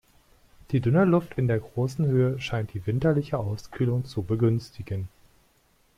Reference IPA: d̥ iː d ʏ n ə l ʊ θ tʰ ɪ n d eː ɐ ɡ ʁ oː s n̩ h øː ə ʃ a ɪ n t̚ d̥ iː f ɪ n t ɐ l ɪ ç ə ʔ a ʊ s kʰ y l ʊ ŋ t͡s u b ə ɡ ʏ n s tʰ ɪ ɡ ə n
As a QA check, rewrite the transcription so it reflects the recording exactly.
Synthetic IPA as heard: d̥ iː d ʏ n ə l ʊ f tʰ ɪ n d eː ɐ ɡ ʁ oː s n̩ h øː ə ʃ a ɪ n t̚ d̥ iː v ɪ n t ɐ l ɪ ç ə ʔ a ʊ s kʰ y l ʊ ŋ t͡s u b ə ɡ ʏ n s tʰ ɪ ɡ ə n